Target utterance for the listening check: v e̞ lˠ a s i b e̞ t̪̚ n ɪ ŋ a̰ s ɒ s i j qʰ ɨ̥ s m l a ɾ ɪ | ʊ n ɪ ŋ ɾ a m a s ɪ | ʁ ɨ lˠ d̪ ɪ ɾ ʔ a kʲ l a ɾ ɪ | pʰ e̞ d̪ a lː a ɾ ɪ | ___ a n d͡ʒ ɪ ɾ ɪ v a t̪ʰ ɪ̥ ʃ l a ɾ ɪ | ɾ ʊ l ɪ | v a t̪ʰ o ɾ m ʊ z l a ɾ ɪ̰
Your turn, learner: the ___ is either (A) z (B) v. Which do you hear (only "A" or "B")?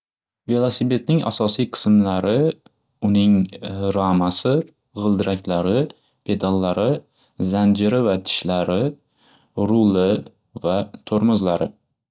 A